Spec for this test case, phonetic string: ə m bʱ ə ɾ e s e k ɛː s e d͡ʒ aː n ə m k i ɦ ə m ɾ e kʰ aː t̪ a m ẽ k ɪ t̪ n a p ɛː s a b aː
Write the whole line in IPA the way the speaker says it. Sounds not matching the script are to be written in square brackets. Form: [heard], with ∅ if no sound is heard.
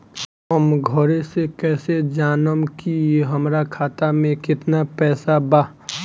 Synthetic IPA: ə m [ɡʱ] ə ɾ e s e k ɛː s e d͡ʒ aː n ə m k i ɦ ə m ɾ [a] kʰ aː t̪ a m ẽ k ɪ t̪ n a p ɛː s a b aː